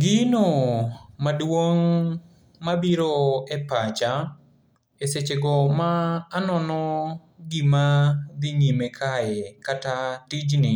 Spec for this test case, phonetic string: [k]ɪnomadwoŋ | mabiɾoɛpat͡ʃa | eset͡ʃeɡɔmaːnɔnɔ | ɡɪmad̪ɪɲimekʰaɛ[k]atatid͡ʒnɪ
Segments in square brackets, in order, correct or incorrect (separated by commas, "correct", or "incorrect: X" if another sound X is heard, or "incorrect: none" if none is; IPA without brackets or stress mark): incorrect: ɡ, correct